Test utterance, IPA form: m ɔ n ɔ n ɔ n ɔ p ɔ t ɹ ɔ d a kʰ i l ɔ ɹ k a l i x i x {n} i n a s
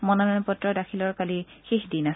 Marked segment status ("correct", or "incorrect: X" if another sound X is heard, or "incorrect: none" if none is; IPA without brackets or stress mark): incorrect: d